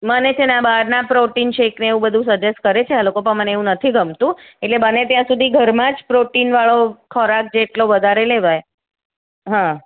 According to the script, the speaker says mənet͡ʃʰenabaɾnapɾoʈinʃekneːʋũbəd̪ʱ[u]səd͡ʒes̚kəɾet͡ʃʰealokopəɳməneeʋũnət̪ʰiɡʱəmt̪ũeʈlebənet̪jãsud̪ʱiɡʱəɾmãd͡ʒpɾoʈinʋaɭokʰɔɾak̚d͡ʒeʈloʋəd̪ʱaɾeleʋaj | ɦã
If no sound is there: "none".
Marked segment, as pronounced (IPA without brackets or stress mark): ũ